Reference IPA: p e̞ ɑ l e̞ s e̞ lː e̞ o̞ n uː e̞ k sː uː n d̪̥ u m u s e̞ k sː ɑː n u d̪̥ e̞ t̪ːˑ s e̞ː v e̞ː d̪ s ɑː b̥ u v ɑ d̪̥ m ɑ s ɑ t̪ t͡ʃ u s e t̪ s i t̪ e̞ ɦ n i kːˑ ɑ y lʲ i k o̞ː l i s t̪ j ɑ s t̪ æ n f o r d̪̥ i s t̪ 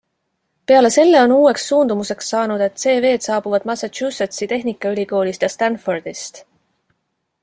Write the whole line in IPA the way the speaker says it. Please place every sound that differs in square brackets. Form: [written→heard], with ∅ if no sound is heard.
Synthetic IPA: p e̞ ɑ l e̞ s e̞ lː e̞ o̞ n uː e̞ k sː uː n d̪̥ u m u s e̞ k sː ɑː n u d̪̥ e̞ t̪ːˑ s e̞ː v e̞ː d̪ s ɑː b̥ u v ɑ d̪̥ m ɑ s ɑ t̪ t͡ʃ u s e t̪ s i t̪ e̞ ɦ n i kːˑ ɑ y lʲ i k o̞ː l i s t̪ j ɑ s t̪ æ n f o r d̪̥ i s t̪

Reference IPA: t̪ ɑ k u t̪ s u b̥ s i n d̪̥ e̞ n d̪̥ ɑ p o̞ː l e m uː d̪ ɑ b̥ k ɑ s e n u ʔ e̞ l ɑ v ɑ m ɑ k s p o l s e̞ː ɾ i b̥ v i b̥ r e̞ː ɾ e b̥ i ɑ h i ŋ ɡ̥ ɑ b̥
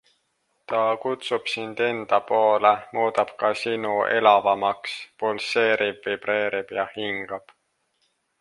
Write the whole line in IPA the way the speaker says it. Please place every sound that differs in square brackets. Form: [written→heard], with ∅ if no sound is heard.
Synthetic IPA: t̪ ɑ k u t̪ s u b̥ s i n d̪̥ e̞ n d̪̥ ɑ p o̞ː l e m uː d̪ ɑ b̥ k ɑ s [e→i] n u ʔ e̞ l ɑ v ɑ m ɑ k s p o l s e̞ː ɾ i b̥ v i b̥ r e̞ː ɾ [e→i] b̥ [i→j] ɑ h i ŋ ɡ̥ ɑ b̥

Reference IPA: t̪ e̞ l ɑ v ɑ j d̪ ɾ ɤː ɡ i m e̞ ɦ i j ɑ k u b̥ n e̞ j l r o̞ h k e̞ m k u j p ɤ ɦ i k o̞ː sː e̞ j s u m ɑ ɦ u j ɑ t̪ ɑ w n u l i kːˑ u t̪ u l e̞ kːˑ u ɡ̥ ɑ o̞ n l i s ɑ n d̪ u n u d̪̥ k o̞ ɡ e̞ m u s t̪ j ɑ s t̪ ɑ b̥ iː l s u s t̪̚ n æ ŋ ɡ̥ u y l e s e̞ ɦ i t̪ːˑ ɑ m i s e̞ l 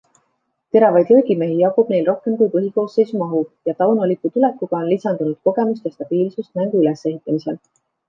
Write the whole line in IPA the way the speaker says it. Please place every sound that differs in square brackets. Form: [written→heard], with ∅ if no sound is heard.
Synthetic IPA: t̪ e̞ [l→ɾ] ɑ v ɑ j d̪ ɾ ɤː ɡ i m e̞ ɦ i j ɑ k u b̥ n e̞ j l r o̞ h k e̞ m k u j p ɤ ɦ i k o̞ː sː e̞ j s u m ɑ ɦ u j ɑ t̪ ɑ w n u l i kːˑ u t̪ u l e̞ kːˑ u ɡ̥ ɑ o̞ n l i s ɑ n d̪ u n u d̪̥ k o̞ ɡ e̞ m u s t̪ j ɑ s t̪ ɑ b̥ iː l s u s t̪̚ n æ ŋ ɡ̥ u y l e s e̞ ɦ i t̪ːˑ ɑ m i s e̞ l

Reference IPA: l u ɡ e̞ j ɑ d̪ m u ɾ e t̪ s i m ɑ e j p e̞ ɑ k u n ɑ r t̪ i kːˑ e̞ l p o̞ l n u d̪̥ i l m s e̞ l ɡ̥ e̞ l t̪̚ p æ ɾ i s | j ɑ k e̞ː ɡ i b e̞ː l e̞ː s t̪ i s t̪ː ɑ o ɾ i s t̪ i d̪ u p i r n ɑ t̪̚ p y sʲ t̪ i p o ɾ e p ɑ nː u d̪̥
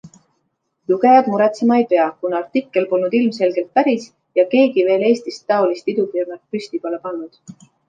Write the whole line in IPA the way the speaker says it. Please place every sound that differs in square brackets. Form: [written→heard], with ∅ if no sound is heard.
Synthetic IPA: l u ɡ e̞ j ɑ d̪ m u ɾ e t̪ s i m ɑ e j p e̞ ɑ k u n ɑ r t̪ i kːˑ e̞ l p o̞ l n u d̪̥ i l m s e̞ l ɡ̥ e̞ l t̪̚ p æ ɾ i s | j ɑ k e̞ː ɡ i [b→v] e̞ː l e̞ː s t̪ i s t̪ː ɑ o [ɾ→l] i s t̪ i d̪ u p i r n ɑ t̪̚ p y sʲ t̪ i p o [ɾ→l] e p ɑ nː u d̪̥

